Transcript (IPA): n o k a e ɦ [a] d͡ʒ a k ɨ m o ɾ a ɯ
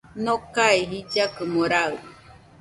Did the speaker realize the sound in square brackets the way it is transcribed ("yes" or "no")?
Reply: no